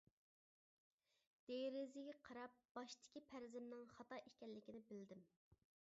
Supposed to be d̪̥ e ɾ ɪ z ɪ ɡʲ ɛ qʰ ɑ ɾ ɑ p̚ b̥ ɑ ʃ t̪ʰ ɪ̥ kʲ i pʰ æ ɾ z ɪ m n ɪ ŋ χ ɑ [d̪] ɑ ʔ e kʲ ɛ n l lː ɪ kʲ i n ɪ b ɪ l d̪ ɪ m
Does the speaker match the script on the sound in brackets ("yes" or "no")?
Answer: no